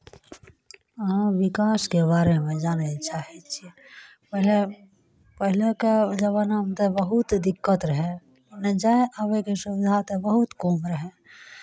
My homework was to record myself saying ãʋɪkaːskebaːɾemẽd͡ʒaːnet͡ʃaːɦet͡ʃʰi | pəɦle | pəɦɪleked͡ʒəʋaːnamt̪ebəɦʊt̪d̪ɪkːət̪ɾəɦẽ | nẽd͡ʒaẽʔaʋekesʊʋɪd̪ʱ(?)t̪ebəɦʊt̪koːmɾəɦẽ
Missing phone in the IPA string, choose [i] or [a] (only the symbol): a